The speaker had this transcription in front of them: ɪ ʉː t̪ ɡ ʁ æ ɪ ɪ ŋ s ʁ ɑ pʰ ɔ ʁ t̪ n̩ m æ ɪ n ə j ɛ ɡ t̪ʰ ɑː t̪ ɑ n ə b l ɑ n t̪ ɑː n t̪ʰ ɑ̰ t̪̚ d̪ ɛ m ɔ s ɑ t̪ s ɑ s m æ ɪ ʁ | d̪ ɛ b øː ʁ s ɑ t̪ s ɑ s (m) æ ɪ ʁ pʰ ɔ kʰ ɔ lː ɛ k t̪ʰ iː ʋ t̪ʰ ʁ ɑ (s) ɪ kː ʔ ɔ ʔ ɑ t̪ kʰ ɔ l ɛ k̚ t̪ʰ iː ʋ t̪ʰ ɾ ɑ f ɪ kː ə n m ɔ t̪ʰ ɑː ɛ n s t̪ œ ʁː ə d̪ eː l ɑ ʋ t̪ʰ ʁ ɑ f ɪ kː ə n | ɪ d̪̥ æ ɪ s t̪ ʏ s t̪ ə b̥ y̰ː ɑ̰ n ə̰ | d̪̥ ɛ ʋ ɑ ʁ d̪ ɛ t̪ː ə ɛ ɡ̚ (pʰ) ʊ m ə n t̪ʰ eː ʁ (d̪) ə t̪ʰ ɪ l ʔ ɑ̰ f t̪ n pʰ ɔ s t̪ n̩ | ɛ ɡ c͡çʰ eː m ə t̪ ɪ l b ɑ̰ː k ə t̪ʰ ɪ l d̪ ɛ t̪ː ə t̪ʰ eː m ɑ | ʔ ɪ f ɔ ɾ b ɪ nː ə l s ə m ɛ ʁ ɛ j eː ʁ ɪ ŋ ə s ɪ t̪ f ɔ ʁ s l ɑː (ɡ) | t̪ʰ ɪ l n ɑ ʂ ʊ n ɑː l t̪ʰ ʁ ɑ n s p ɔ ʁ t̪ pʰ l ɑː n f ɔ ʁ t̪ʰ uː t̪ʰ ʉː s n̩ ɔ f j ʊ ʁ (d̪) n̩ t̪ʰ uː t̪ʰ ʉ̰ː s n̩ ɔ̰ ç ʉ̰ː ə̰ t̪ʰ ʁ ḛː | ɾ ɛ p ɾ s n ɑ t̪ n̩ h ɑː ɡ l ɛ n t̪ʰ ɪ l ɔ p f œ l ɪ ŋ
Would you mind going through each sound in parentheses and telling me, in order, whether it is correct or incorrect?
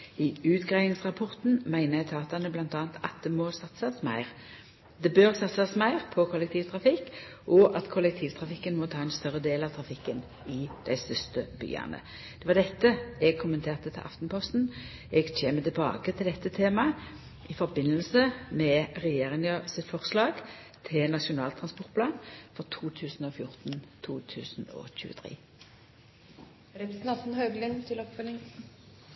correct, incorrect: f, incorrect: kʰ, incorrect: t̪, correct, incorrect: t̪

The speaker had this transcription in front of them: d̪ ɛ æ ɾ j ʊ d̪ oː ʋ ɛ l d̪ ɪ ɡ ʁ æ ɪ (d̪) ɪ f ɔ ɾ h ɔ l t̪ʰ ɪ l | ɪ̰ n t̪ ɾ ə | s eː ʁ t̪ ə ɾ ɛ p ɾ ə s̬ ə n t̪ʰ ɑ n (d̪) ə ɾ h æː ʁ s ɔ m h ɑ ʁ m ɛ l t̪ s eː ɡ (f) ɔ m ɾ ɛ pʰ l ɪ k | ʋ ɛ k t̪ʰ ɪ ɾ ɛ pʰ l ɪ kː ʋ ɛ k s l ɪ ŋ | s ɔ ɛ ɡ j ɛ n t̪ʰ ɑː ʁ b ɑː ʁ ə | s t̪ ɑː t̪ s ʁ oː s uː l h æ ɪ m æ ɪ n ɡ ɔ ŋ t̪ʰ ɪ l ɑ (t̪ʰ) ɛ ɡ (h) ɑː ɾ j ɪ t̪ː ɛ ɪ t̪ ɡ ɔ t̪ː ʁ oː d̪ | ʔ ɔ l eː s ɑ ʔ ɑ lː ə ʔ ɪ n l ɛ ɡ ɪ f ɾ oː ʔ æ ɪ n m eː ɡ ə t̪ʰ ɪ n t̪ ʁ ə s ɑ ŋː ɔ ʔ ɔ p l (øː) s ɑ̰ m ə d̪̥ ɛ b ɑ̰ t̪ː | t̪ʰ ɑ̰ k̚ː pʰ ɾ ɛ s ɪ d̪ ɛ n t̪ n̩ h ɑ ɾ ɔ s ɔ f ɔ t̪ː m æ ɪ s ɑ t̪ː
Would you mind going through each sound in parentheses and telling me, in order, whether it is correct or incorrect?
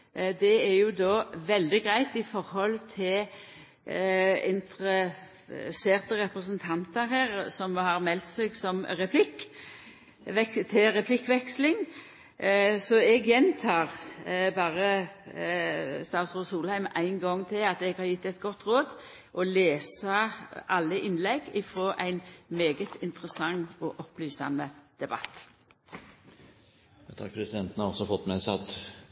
incorrect: t̪, incorrect: t̪, incorrect: s, incorrect: t̪, correct, incorrect: yː

